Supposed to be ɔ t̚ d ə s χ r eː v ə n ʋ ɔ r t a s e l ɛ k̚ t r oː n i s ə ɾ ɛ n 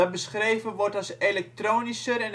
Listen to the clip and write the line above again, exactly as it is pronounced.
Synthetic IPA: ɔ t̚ b ə s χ r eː v ə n ʋ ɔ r t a s e l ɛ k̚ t r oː n i s ə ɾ ɛ n